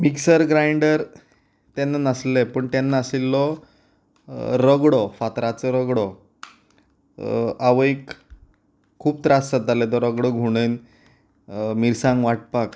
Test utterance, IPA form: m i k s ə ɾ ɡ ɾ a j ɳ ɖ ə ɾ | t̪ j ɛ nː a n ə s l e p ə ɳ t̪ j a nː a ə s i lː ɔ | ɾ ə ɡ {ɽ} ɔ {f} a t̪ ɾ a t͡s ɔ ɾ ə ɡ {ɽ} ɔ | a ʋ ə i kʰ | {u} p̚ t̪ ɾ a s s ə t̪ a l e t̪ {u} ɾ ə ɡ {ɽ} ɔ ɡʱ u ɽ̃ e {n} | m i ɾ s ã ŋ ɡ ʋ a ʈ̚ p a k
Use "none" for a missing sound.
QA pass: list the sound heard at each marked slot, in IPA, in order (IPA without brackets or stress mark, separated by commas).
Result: ɽ, f, ɽ, uː, ɔ, ɽ, n